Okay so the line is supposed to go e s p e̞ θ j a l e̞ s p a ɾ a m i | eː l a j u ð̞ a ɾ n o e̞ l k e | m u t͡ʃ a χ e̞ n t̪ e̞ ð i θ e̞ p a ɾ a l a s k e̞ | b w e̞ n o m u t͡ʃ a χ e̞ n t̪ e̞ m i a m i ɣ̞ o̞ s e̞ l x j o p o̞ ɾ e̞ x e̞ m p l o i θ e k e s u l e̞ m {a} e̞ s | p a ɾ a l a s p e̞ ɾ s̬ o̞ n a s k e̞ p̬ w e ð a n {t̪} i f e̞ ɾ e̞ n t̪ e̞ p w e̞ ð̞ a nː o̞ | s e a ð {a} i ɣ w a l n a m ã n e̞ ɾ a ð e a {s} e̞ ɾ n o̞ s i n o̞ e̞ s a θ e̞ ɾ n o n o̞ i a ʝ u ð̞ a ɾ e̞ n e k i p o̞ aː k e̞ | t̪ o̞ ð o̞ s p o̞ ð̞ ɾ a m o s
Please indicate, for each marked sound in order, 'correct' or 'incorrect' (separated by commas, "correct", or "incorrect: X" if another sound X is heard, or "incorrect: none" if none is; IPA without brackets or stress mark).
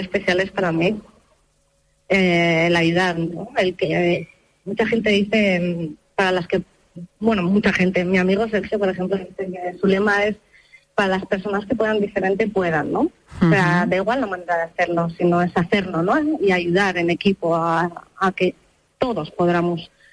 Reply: correct, incorrect: d̪, incorrect: e, incorrect: θ